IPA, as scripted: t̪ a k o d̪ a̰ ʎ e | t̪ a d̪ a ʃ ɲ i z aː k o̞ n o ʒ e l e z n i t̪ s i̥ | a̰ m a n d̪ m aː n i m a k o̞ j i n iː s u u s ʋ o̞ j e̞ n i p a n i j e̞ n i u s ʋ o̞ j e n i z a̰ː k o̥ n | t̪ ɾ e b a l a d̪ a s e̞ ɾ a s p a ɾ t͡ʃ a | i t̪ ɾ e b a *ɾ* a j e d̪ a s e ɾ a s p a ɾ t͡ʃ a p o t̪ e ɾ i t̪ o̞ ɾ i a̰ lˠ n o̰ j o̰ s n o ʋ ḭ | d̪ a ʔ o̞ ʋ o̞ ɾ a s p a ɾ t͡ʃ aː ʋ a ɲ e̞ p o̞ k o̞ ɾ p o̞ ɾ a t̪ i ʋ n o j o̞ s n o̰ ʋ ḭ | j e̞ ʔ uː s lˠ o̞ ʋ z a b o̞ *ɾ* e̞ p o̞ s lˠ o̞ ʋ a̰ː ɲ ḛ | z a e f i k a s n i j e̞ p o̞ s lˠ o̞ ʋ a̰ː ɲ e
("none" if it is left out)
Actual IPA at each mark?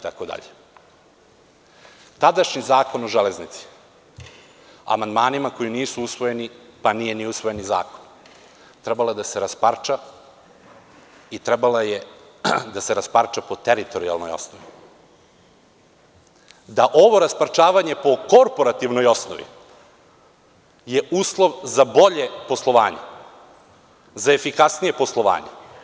l, ʎ

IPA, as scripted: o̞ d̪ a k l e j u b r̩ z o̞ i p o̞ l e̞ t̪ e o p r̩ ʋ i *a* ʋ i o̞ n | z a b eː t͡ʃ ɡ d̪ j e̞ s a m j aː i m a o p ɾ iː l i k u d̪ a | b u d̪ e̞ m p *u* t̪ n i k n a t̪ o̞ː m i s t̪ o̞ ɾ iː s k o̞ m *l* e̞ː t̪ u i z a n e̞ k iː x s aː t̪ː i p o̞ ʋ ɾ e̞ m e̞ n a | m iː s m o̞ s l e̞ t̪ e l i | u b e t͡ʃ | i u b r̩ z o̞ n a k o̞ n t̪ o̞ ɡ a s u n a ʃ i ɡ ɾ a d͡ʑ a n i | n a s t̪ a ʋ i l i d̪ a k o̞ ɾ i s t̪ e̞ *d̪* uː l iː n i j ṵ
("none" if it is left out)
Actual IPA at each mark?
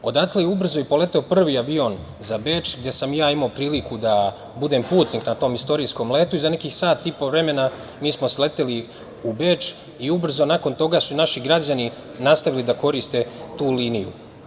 a, uː, l, t̪

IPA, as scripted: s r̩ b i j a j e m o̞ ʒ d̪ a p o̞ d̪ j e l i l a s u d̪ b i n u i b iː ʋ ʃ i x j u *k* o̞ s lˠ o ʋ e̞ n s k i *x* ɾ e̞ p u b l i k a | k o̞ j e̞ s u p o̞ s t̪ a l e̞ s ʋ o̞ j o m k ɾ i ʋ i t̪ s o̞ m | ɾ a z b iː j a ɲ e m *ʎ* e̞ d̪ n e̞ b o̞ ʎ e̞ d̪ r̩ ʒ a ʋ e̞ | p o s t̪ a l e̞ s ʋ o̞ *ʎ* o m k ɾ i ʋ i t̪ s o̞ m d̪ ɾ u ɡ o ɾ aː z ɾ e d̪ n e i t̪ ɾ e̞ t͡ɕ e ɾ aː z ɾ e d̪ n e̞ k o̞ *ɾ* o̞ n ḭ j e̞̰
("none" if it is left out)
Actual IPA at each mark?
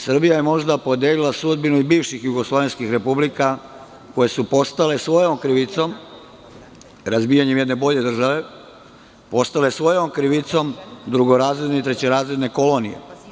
ɡ, x, j, j, l

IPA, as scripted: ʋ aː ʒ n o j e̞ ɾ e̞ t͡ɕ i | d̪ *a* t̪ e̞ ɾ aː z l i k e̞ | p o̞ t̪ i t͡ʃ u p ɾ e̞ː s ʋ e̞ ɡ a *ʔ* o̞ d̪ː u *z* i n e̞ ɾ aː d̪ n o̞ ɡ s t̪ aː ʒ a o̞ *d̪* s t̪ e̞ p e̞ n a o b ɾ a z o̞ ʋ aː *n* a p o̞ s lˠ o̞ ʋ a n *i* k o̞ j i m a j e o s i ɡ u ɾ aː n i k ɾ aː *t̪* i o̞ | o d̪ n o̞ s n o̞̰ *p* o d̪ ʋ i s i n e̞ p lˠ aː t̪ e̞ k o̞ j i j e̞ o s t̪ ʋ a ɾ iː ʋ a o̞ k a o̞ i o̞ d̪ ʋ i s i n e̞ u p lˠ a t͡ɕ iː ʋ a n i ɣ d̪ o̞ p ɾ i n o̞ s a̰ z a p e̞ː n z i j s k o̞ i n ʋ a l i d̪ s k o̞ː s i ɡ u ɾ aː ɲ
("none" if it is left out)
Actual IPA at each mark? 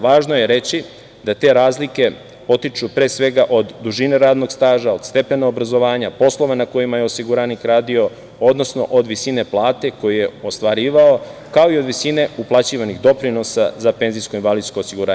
a, ʔ, ʒ, d̪, ɲ, a, d̪, ʔ

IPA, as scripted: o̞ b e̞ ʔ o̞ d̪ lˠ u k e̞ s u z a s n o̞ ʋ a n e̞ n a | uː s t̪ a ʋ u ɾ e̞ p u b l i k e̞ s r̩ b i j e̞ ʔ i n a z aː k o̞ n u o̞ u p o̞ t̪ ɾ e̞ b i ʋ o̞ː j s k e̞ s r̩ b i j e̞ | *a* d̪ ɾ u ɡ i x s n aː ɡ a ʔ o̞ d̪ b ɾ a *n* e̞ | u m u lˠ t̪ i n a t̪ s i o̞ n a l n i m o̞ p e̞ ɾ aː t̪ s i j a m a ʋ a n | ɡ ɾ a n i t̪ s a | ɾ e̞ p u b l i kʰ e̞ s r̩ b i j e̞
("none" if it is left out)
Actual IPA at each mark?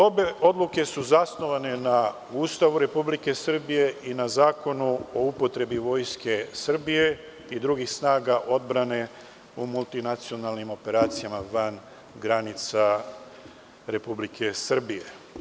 i, n

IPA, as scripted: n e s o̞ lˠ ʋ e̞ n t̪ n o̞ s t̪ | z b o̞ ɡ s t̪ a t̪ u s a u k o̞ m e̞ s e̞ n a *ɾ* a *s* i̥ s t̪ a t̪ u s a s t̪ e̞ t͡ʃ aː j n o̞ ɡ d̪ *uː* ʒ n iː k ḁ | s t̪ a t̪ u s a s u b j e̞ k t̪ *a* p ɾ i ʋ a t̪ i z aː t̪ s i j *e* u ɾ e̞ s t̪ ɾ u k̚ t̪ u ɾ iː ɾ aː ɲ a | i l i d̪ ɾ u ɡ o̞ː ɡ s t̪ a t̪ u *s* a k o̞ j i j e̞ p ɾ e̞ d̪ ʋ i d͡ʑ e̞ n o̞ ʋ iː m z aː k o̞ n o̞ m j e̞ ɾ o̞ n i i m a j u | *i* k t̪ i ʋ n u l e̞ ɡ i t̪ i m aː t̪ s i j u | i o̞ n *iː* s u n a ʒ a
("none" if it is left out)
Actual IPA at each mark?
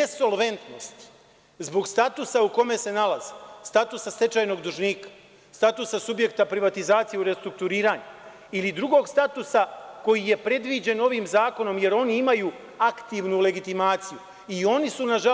l, z, u, a, e, s, a, i

